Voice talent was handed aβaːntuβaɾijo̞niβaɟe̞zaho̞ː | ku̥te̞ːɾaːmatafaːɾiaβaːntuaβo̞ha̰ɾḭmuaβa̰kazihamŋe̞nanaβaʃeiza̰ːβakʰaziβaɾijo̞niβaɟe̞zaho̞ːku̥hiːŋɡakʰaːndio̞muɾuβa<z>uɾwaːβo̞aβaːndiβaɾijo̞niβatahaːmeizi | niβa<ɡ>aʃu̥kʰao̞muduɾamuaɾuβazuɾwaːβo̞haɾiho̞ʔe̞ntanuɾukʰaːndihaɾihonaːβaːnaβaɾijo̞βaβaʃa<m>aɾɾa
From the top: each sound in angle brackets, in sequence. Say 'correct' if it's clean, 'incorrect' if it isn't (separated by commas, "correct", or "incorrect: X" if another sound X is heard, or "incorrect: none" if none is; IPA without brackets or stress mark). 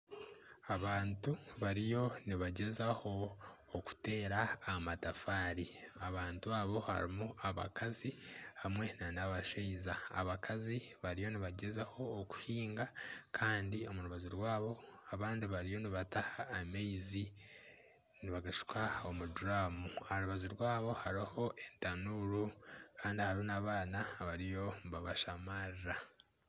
correct, correct, correct